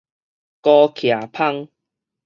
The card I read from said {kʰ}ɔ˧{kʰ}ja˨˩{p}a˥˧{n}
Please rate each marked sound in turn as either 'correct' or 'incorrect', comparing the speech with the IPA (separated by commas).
incorrect, correct, incorrect, incorrect